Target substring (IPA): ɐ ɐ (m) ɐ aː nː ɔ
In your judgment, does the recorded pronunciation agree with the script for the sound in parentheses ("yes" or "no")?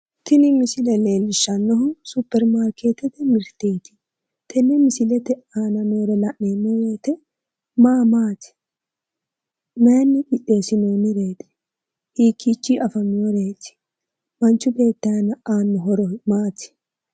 no